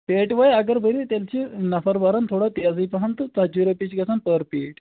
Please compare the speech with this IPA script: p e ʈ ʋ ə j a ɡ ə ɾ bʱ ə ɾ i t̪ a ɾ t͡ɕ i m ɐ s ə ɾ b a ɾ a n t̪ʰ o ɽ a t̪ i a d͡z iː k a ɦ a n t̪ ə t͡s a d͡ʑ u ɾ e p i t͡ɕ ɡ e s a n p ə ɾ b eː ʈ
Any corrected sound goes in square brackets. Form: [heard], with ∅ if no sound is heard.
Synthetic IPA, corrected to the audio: p e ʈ ʋ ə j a ɡ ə ɾ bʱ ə ɾ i t̪ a [l] t͡ɕ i [n] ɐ [f] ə ɾ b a ɾ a n t̪ʰ o ɽ a t̪ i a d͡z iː [p] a ɦ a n t̪ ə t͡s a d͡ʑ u ɾ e p i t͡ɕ ɡ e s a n p ə ɾ [p] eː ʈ